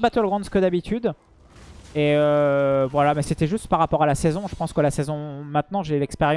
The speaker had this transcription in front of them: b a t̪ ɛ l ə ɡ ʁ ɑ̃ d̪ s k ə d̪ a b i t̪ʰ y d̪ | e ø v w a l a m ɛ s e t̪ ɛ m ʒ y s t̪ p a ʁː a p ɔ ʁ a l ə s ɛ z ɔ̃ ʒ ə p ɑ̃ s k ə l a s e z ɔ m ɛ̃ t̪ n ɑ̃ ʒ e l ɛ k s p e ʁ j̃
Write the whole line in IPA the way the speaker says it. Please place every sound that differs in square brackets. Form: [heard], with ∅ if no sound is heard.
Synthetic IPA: b a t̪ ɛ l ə ɡ ʁ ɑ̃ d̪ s k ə d̪ a b i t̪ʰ y d̪ | e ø v w a l a m ɛ s e t̪ ɛ [∅] ʒ y s t̪ p a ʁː a p ɔ ʁ a l [a] s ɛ z ɔ̃ ʒ ə p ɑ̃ s k ə l a s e z [ɔ̃] m ɛ̃ t̪ n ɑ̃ ʒ e l ɛ k s p e ʁ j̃